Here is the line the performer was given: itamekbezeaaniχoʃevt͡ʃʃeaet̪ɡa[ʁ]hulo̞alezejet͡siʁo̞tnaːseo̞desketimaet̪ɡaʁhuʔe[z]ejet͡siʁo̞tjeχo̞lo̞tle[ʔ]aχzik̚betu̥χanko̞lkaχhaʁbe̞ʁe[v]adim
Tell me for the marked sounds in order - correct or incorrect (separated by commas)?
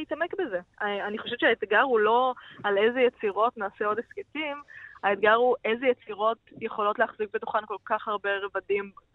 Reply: correct, correct, incorrect, correct